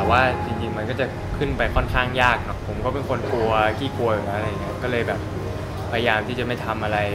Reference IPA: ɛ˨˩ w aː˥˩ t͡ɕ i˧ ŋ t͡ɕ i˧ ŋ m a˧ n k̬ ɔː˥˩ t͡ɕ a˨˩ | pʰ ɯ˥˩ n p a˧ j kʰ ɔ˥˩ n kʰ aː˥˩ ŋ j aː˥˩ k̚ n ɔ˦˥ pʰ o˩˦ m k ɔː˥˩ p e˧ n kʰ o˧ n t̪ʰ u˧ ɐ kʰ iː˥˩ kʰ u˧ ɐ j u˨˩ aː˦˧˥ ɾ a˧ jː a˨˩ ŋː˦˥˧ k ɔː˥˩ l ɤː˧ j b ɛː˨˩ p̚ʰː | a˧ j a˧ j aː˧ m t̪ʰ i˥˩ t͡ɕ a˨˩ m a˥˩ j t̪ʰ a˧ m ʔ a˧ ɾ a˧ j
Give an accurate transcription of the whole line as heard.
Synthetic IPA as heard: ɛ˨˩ w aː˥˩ t͡ɕ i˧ ŋ t͡ɕ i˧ ŋ m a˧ n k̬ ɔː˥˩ t͡ɕ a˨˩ | kʰ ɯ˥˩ n p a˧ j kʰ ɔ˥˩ n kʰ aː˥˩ ŋ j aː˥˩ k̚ n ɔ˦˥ pʰ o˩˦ m k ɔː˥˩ p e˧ n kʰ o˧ n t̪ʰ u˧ ɐ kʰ iː˥˩ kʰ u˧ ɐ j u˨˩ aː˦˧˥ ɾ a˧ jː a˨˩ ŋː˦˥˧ k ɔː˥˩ l ɤː˧ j b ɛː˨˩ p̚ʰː | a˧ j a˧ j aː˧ m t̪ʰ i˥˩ t͡ɕ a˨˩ m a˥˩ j t̪ʰ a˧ m ʔ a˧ ɾ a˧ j